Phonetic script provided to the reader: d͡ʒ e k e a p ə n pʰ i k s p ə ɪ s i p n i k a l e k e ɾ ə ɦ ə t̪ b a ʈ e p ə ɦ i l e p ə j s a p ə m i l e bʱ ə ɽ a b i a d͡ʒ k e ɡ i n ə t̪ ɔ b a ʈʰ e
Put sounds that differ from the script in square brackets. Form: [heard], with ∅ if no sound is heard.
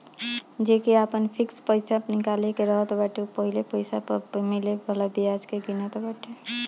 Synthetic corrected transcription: d͡ʒ e k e a p ə n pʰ i k s p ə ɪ s [a] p n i k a l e k e ɾ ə ɦ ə t̪ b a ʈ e p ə ɦ i l e p ə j s a p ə m i l e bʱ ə [l] a b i a d͡ʒ k e ɡ i n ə t̪ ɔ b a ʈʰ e